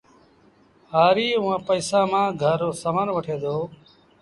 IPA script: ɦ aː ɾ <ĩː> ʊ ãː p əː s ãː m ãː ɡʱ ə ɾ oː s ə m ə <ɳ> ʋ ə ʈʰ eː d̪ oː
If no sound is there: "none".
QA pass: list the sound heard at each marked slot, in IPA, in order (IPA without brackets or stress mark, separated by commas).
iː, n